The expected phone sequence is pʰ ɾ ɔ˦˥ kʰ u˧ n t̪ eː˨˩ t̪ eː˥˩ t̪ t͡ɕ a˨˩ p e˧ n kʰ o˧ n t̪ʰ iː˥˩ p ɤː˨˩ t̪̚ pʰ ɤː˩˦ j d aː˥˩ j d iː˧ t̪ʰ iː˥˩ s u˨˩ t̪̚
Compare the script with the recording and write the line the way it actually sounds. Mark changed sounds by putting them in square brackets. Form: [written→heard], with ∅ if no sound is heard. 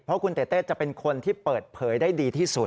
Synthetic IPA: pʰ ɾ ɔ˦˥ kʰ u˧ n t̪ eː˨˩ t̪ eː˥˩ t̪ t͡ɕ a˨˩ p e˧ n kʰ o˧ n t̪ʰ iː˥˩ p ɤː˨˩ t̪̚ pʰ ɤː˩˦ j d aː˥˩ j d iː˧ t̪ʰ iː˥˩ s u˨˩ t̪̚